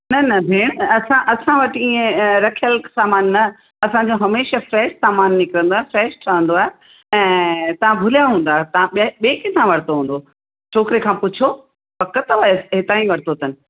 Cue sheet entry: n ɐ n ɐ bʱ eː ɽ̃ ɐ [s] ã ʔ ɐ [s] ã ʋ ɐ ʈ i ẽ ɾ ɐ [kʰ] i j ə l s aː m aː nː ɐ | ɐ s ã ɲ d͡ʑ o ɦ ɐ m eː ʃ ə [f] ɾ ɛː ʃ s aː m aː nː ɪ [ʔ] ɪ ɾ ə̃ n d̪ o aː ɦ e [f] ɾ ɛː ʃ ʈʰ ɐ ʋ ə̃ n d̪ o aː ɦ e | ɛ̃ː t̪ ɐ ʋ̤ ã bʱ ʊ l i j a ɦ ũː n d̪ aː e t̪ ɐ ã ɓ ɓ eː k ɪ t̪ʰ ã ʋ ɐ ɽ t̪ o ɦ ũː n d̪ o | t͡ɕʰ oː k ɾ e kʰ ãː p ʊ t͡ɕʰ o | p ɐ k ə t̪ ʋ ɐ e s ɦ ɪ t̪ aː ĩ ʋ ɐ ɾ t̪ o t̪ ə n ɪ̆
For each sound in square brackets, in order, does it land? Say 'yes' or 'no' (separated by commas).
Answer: yes, yes, yes, yes, no, yes